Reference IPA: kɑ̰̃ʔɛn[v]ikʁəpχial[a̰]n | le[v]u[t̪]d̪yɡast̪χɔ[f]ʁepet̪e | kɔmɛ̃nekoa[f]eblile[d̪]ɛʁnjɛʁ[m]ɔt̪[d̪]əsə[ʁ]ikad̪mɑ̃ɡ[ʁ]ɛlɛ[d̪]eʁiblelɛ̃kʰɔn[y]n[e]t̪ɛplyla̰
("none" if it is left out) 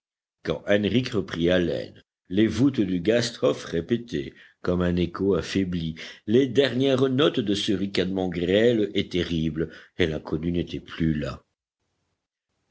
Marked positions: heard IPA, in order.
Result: ʁ, ɛ̰, v, t̪, f, f, d̪, n, d̪, ʁ, ʁ, t̪, y, e

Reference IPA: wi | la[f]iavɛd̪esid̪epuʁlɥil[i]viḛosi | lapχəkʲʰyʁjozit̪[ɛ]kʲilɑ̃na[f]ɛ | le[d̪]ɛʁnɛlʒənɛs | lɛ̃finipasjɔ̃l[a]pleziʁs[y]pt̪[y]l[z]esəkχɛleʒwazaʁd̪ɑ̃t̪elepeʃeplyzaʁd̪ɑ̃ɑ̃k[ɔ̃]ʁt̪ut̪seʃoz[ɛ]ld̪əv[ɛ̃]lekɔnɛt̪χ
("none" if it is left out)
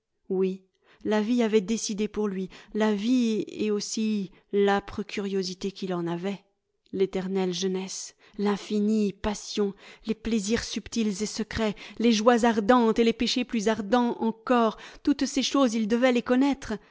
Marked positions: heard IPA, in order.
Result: v, a, e, v, t̪, e, y, i, z, ɔ, i, ɛ

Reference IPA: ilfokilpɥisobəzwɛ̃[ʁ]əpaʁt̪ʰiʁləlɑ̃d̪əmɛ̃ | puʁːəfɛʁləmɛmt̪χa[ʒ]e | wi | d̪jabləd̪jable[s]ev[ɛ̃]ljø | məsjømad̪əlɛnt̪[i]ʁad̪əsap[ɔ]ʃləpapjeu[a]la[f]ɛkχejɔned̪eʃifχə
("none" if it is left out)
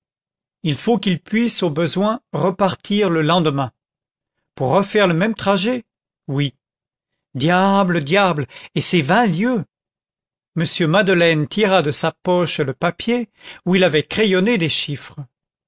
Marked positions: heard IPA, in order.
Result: ʁ, ʒ, s, ɛ̃, i, ɔ, i, v

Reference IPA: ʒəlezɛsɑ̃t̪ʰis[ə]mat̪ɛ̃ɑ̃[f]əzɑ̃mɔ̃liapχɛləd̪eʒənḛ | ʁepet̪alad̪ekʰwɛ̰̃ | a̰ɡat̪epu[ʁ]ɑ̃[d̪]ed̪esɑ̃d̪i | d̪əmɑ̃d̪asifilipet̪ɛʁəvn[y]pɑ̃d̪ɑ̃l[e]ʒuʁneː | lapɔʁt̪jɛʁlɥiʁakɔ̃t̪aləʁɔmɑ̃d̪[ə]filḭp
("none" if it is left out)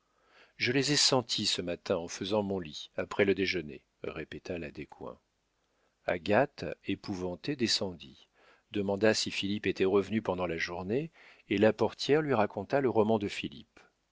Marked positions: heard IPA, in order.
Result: ə, f, v, t̪, y, a, ə

